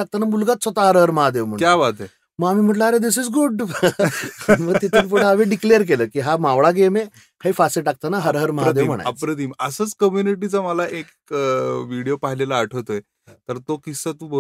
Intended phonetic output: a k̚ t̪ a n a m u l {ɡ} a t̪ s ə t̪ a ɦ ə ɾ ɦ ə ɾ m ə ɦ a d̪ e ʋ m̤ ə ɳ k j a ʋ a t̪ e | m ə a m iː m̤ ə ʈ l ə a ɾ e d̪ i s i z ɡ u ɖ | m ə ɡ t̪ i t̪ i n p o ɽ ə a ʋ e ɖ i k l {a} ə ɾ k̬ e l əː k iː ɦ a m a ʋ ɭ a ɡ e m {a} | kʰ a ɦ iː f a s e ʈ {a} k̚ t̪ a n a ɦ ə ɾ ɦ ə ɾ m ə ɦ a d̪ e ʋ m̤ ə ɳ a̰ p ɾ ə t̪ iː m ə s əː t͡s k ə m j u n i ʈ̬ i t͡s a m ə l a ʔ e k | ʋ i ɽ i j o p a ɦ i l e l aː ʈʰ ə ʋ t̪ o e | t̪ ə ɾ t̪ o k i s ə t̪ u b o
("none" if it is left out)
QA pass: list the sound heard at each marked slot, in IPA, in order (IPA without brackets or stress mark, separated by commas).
ɡ, e, e, a